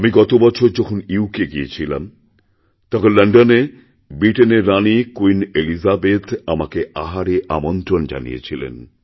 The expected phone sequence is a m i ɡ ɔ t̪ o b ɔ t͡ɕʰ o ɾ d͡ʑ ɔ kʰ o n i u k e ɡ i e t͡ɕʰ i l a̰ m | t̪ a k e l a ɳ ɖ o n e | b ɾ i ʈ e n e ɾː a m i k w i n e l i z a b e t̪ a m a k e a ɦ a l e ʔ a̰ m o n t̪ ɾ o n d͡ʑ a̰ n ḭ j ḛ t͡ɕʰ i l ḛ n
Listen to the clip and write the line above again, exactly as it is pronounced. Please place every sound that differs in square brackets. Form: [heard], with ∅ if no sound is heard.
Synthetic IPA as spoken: a m i ɡ ɔ t̪ o b ɔ t͡ɕʰ o ɾ d͡ʑ ɔ kʰ o n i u k e ɡ i e t͡ɕʰ i l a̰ m | t̪ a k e l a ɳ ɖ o n e | b ɾ i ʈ e n e ɾː a [n] i k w i n e l i z a b e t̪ a m a k e a ɦ a [ɾ] e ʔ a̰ m o n t̪ ɾ o n d͡ʑ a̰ n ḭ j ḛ t͡ɕʰ i l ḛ n